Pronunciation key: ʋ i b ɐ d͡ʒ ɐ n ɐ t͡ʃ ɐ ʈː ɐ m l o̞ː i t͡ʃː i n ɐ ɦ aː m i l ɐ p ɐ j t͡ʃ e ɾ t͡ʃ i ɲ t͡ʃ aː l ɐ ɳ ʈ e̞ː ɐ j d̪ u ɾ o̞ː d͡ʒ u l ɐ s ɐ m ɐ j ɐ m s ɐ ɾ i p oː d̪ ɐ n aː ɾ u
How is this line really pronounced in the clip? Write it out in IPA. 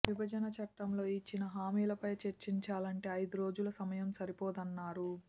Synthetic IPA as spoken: ʋ i b ɐ d͡ʒ ɐ n ɐ t͡ʃ ɐ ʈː ɐ m l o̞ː i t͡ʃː i n ɐ ɦ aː m iː l ɐ p ɐ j t͡ʃ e ɾ t͡ʃ i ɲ t͡ʃ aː l ɐ ɳ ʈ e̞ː ɐ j d̪ u ɾ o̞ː d͡ʒ u l ɐ s ɐ m ɐ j ɐ m s ɐ ɾ i p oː d̪ ɐ nː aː ɾ u

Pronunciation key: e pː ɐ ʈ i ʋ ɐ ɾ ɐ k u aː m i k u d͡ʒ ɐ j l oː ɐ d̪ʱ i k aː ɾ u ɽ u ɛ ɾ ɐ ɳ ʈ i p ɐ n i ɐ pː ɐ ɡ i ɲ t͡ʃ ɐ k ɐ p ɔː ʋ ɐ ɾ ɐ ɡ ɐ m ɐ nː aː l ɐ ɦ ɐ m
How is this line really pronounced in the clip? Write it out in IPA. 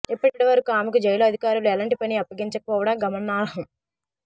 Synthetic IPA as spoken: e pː ɐ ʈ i ʋ ɐ ɾ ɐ k u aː m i k u d͡ʒ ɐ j l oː ɐ d̪ʱ i k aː ɾ u l u ɛ l ɐ ɳ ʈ i p ɐ n i ɐ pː ɐ ɡ i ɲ t͡ʃ ɐ k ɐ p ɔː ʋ ɐ ɽ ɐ ɡ ɐ m ɐ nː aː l ɐ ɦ ɐ m

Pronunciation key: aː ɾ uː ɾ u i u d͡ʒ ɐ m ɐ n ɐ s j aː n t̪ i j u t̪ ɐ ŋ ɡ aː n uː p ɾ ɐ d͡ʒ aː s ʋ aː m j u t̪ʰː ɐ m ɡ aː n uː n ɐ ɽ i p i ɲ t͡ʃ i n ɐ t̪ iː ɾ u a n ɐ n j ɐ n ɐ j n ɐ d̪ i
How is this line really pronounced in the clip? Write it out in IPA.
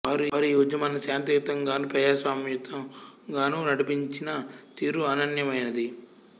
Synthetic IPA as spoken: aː ɾ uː ɾ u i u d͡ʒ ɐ m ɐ n ɐ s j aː n t̪ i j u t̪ ɐ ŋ ɡ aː n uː p ɾ ɐ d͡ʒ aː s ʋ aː m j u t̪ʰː ɐ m ɡ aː n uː n ɐ ɽ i p i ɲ t͡ʃ i n ɐ t̪ iː ɾ u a n ɐ n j ɐ m ɐ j n ɐ d̪ i

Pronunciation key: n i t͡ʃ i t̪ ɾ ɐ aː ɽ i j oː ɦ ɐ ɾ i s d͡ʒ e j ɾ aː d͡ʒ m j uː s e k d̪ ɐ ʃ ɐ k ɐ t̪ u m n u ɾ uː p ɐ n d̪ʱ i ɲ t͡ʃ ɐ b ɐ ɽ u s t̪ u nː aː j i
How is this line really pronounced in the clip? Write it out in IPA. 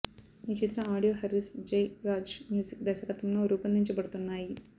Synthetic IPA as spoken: n i t͡ʃ i t̪ ɾ ɐ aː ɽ i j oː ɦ ɐ ɾ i s d͡ʒ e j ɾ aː d͡ʒ m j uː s i k d̪ ɐ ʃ ɐ k ɐ t̪ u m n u ɾ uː p ɐ n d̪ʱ i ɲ t͡ʃ ɐ b ɐ ɽ u t̪ u nː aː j i

